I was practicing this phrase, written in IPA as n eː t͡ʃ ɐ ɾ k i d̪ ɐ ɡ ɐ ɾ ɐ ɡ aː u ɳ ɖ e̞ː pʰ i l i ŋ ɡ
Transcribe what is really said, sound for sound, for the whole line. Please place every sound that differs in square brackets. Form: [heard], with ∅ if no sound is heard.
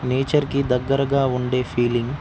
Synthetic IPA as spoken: n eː t͡ʃ ɐ ɾ k i d̪ ɐ [ɡː] ɐ ɾ ɐ ɡ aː u ɳ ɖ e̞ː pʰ [iː] l i ŋ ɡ